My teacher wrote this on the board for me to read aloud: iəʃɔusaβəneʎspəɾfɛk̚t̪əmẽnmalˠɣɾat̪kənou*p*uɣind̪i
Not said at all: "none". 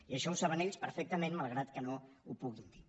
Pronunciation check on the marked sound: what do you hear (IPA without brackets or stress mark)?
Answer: p